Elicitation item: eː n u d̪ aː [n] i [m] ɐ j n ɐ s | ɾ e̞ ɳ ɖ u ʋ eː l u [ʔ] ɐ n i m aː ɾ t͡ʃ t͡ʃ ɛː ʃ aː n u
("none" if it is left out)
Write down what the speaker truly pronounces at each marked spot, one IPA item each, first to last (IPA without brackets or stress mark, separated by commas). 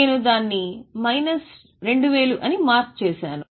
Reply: nː, m, ʔ